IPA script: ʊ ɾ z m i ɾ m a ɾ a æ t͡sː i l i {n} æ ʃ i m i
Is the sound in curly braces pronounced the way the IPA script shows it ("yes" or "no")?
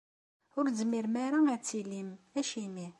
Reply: no